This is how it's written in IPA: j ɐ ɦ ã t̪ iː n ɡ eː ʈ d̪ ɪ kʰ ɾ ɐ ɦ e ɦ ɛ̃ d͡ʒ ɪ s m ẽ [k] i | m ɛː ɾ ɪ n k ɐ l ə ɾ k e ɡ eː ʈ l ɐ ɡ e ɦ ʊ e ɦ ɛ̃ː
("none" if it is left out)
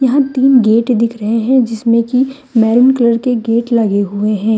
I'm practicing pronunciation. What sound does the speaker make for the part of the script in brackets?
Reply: k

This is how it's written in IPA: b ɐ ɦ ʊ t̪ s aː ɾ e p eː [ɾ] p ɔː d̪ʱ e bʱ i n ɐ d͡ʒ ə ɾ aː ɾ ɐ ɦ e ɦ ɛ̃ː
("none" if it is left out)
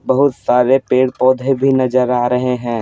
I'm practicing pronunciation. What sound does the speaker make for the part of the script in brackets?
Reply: ɽ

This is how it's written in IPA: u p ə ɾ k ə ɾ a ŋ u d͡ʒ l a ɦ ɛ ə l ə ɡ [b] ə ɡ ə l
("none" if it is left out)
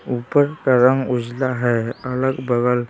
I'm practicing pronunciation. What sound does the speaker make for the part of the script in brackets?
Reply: b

